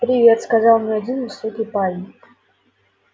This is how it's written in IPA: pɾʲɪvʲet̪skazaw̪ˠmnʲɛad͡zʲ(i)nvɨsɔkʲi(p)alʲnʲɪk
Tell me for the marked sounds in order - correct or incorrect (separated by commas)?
correct, correct